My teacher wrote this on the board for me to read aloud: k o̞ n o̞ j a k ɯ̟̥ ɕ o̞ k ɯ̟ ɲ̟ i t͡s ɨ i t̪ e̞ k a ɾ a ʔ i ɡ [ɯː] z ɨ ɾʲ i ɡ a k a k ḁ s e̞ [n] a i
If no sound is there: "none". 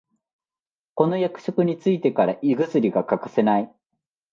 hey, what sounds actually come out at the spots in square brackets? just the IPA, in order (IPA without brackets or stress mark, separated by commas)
ɯ, n